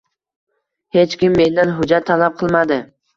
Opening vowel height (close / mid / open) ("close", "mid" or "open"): mid